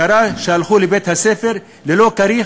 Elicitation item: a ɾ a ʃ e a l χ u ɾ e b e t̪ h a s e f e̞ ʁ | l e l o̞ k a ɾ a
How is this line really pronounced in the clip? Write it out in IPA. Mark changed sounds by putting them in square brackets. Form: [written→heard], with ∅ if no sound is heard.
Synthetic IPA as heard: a ɾ a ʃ e a l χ u [ɾ→l] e b e t̪ h a s e f e̞ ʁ | l e l o̞ k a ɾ [a→i]

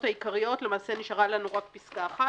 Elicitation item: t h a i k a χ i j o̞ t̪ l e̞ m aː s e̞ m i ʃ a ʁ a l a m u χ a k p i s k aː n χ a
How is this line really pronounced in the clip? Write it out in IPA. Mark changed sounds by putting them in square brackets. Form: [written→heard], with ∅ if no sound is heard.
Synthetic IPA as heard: t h a i k a [χ→ʁ] i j o̞ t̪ l e̞ m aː s e̞ [m→n] i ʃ a ʁ a l a [m→n] u [χ→ʁ] a k p i s k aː [n→∅] χ a

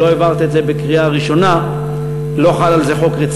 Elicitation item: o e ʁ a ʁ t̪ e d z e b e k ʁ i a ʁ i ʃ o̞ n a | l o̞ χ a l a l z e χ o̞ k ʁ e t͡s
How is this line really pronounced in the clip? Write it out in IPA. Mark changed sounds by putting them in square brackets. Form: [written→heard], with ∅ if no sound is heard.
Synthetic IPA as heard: o e [ʁ→v] a ʁ t̪ e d z e b e k ʁ i a ʁ i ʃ o̞ n a | l o̞ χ a l a l z e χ o̞ k ʁ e t͡s

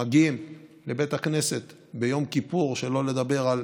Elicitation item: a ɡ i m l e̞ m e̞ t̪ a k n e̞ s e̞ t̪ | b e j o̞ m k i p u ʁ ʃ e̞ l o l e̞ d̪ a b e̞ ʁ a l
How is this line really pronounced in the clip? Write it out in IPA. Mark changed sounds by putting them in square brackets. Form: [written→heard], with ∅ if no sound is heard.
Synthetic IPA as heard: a ɡ i m l e̞ [m→b] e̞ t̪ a k n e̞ s e̞ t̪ | b e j o̞ m k i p u ʁ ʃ e̞ l o l e̞ d̪ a b e̞ ʁ a l

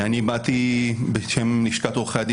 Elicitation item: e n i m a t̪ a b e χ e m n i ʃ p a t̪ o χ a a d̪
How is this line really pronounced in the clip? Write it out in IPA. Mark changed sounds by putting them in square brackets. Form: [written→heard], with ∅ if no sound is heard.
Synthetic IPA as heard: [e→a] n i [m→b] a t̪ [a→i] b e [χ→ʃ] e m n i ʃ [p→k] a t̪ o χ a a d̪

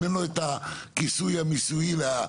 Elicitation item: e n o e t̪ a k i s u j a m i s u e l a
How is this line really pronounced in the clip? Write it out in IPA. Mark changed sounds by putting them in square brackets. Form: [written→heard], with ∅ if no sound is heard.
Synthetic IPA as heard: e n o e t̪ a k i s u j a m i s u [e→i] l a

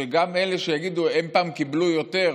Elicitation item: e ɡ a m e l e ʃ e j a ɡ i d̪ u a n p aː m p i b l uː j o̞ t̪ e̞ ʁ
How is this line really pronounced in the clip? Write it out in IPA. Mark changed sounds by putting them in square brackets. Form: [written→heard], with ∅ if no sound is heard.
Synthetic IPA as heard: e ɡ a m e l e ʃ e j a ɡ i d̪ u [a→e] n p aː m [p→k] i b l [uː→u] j o̞ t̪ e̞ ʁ

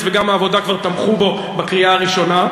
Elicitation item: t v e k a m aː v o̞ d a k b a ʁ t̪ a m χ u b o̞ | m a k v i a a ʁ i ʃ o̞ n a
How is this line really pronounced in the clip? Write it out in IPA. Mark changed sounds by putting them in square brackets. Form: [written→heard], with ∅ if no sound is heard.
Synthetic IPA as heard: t v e [k→ɡ] a m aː v o̞ d a k [b→v] a ʁ t̪ a m χ u b o̞ | [m→b] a k [v→ʁ] i a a ʁ i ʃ o̞ n a

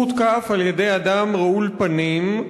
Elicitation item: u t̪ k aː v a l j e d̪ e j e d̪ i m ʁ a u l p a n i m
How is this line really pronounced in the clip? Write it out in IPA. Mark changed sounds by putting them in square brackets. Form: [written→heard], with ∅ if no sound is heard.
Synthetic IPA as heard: u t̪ k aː [v→f] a l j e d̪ e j [e→a] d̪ [i→a] m ʁ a u l p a n i m

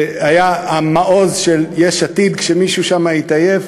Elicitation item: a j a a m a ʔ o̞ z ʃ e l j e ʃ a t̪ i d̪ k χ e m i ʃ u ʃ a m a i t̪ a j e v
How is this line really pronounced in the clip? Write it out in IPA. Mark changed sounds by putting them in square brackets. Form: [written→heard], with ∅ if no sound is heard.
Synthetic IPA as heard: a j a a m a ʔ o̞ z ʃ e l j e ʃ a t̪ i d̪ k [χ→ʃ] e m i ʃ u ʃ a m a i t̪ a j e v

